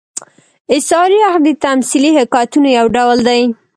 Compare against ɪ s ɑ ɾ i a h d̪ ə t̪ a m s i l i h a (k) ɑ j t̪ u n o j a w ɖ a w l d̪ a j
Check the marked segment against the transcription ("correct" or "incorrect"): correct